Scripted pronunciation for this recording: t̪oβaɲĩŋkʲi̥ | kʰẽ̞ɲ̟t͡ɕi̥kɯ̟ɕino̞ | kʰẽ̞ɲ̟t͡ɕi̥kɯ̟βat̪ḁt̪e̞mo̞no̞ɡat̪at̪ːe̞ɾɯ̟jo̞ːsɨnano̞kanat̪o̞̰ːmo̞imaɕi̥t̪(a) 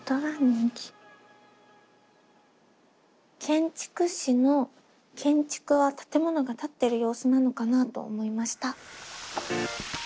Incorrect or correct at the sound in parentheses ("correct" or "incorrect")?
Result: correct